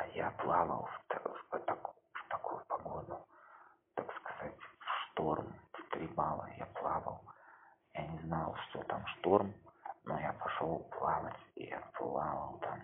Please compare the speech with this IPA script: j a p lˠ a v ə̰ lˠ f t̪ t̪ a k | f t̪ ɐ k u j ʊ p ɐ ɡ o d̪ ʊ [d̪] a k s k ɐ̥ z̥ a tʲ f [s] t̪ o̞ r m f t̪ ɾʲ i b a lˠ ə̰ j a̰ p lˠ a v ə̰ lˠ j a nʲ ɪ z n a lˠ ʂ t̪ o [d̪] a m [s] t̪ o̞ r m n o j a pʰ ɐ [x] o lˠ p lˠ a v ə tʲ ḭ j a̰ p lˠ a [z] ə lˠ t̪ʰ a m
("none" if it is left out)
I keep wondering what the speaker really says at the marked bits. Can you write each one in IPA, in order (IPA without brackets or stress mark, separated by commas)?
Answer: t̪, ʂ, t̪, ʂ, ʂ, v